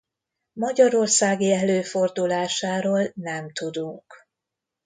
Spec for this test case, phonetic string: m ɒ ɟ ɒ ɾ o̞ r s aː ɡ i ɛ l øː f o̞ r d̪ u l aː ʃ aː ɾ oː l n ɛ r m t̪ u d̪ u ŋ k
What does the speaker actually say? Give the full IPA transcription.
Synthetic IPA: m ɒ ɟ ɒ ɾ o̞ r s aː ɡ i ɛ l øː f o̞ r d̪ u l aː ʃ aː ɾ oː l n ɛ m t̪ u d̪ u ŋ k